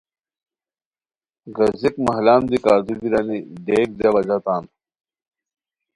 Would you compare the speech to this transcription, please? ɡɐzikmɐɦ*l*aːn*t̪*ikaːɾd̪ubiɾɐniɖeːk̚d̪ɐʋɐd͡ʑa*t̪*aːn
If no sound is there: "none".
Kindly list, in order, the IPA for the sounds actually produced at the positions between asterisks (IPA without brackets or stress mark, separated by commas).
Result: l, d̪, t̪